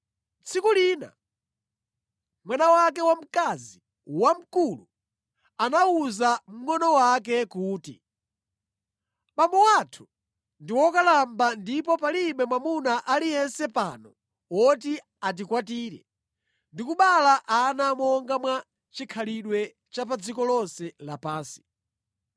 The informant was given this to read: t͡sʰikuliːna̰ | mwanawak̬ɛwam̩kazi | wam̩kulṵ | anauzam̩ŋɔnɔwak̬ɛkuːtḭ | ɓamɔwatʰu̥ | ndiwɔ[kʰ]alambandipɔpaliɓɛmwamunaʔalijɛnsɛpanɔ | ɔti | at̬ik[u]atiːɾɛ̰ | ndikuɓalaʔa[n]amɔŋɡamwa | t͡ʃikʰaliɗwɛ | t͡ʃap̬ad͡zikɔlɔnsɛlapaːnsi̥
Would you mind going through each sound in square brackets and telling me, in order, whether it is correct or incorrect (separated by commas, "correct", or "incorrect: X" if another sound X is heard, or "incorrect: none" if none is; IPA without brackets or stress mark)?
incorrect: k, incorrect: w, correct